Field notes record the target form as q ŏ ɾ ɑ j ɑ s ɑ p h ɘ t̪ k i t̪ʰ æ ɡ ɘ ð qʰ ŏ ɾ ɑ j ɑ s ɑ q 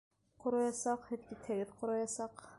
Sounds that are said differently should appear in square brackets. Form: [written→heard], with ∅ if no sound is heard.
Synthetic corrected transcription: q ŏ ɾ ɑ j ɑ s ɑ [p→q] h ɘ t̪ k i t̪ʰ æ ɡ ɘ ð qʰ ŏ ɾ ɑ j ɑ s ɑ q